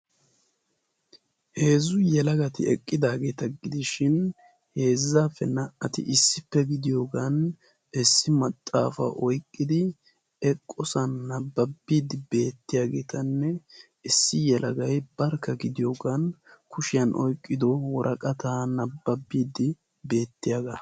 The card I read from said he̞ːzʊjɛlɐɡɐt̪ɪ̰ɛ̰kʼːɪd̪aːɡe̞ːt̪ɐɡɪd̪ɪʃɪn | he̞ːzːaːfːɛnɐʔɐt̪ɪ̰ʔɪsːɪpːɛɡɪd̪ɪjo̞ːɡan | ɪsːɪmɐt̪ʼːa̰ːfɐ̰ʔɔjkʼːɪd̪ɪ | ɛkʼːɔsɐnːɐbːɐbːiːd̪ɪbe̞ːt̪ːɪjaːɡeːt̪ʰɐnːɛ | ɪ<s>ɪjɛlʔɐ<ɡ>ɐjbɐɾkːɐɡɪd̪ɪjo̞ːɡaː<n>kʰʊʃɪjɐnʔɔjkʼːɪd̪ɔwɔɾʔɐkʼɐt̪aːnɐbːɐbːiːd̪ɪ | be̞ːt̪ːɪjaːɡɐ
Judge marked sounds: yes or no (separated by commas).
no, yes, yes